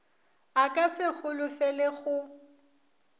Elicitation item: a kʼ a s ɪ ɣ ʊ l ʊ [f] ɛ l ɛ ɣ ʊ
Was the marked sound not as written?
no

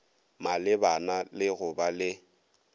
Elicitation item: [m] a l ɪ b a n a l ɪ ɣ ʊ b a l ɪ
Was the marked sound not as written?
no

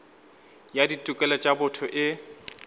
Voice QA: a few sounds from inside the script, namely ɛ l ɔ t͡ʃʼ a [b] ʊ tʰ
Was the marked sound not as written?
no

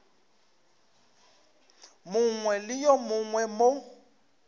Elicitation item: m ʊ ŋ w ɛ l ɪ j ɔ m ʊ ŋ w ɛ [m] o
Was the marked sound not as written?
no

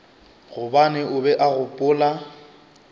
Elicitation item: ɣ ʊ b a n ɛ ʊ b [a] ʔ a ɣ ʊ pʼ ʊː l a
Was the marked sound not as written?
yes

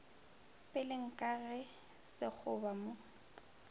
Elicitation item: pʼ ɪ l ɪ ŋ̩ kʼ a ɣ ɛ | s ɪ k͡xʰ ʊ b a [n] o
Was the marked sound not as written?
yes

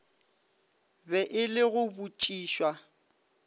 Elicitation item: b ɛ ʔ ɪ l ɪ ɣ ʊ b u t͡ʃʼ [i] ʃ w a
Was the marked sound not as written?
yes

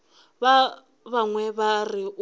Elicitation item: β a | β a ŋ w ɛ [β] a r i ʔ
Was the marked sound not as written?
no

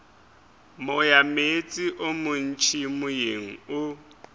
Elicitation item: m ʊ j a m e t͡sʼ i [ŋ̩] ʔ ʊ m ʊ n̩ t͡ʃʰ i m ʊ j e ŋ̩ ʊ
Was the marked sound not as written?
yes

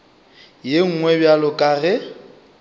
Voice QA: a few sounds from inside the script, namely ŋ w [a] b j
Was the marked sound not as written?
yes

